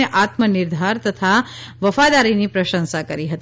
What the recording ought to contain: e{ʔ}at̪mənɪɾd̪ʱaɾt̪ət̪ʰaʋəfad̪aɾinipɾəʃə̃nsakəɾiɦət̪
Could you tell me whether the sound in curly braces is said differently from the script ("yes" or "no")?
no